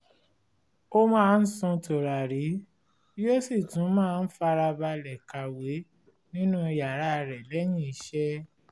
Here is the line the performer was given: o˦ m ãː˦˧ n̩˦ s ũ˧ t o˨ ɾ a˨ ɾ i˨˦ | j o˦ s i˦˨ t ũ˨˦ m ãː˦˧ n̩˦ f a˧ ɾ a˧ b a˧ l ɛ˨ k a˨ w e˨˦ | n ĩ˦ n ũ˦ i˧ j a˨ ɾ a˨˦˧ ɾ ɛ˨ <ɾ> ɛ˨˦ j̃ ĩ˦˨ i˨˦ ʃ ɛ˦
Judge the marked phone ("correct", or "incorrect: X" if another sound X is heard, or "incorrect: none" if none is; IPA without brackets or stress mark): incorrect: l